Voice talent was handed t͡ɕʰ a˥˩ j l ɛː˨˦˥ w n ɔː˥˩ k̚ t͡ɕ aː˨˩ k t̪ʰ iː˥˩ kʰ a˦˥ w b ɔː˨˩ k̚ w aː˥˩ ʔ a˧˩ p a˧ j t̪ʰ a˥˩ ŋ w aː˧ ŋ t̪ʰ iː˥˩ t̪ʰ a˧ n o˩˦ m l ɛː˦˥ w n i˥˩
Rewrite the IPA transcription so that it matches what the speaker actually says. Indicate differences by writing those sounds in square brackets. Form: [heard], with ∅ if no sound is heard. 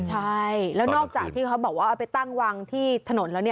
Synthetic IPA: t͡ɕʰ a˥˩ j l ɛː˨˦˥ w n ɔː˥˩ k̚ t͡ɕ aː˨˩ k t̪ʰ iː˥˩ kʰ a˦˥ w b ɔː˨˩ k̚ w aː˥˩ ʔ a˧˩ p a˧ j [t̪] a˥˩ ŋ w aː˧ ŋ t̪ʰ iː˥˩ t̪ʰ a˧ n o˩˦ [n] l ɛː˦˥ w n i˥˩